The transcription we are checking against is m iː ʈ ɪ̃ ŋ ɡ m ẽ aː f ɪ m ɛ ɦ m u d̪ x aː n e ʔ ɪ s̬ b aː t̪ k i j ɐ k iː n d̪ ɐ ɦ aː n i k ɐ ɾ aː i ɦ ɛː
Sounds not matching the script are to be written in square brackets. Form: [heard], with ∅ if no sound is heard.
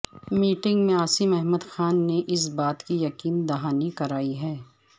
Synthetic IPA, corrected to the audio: m iː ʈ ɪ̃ ŋ ɡ m ẽ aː [s] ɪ m ɛ ɦ m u d̪ x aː [nː] e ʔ ɪ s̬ b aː t̪ k i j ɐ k iː n d̪ ɐ ɦ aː n i k ɐ ɾ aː i ɦ ɛː

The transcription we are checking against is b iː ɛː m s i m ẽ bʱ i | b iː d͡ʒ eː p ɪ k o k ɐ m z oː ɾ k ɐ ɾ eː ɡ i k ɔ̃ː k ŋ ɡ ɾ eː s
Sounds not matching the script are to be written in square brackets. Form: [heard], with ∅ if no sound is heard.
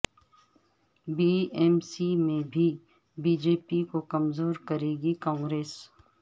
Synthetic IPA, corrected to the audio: b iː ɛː m s i m ẽ bʱ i | b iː d͡ʒ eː p [i] k o k ɐ m z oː ɾ k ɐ ɾ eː ɡ i k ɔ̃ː [∅] ŋ ɡ ɾ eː s

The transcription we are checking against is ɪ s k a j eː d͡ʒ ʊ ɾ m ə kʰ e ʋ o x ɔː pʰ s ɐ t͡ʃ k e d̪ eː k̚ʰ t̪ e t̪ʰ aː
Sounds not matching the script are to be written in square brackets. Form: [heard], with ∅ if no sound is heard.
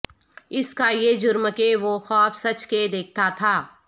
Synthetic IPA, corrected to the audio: ɪ s k a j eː d͡ʒ ʊ ɾ m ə [k] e ʋ o x ɔː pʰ s ɐ t͡ʃ k e d̪ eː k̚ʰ t̪ [a] t̪ʰ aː

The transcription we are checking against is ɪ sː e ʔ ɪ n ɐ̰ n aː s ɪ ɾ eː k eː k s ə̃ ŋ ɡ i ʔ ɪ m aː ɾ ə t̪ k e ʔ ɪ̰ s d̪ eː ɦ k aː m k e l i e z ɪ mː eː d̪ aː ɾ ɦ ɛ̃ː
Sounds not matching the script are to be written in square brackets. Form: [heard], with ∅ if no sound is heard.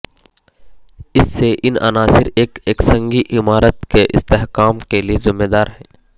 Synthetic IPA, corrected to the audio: ɪ sː e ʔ ɪ n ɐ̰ n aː s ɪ ɾ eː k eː k s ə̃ ŋ ɡ i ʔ ɪ m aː ɾ ə t̪ k e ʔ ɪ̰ s [t̪] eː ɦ k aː m k e l i e z ɪ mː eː d̪ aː ɾ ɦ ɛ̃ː

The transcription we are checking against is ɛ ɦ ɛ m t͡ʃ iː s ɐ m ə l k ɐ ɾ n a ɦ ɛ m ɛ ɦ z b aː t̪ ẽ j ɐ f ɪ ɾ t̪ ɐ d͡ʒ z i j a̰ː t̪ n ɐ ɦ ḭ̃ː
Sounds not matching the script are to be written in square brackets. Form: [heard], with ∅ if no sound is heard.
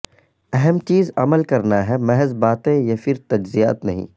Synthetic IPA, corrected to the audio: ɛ ɦ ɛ m t͡ʃ iː [z] ɐ m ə l k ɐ ɾ n a ɦ ɛ m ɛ ɦ z b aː t̪ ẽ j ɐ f ɪ ɾ t̪ ɐ d͡ʒ z i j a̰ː t̪ n ɐ ɦ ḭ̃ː

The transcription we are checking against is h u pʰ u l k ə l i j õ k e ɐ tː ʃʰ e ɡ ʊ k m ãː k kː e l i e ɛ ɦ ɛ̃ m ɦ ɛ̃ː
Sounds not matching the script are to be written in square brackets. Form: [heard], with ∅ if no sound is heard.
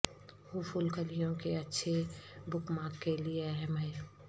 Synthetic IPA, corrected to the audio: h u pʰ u l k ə l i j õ k e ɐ tː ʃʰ e [b] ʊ k m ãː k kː e l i e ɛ ɦ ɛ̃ m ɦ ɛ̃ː

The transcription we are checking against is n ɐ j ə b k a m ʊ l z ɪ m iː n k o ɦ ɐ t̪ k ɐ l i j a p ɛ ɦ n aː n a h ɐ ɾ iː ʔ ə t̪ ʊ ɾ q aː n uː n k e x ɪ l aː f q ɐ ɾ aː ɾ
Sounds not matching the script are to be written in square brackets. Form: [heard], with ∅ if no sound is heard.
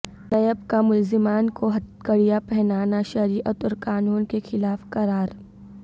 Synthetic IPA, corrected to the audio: n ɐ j ə b k a m ʊ l z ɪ m [aː] n k o ɦ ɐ t̪ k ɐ [ɽ] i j a p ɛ ɦ n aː n a [ʃ] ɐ ɾ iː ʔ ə t̪ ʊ ɾ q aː n uː n k e x ɪ l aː f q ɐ ɾ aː ɾ

